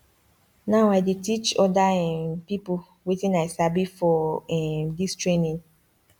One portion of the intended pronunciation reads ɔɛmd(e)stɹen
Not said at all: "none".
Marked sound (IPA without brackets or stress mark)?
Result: i